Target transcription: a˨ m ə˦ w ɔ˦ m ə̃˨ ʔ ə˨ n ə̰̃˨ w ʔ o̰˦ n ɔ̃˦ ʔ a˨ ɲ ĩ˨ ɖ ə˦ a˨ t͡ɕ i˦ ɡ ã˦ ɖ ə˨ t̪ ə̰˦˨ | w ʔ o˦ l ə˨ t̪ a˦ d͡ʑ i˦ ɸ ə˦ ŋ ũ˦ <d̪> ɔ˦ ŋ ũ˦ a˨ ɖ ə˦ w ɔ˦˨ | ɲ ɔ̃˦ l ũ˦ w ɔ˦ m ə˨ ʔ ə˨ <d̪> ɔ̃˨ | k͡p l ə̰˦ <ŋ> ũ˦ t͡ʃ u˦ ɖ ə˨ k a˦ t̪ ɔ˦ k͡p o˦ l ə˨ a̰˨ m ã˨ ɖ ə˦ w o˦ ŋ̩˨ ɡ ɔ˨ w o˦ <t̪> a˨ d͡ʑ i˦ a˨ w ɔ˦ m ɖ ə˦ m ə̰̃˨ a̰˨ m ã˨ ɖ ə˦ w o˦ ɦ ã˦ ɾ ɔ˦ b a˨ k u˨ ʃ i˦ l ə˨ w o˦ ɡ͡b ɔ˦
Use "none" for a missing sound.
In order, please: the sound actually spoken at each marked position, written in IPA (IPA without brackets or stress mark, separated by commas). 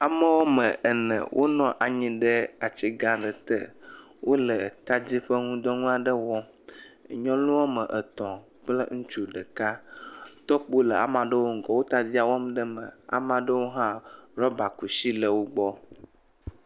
d̪, t̪, ŋ, t̪